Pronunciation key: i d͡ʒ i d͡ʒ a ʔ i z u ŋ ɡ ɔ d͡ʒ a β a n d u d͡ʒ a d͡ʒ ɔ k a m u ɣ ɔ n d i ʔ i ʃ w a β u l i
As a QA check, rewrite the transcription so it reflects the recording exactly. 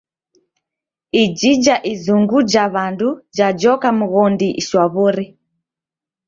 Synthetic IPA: i d͡ʒ i d͡ʒ a ʔ i z u ŋ ɡ u d͡ʒ a β a n d u d͡ʒ a d͡ʒ ɔ k a m u ɣ ɔ n d i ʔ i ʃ w a β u ɾ i